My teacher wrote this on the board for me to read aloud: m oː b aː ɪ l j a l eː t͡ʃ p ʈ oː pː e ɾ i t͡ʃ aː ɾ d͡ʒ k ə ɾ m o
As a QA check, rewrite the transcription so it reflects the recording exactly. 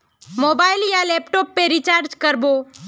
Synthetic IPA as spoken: m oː b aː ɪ l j a l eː p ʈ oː pː e ɾ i t͡ʃ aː ɾ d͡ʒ k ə ɾ b o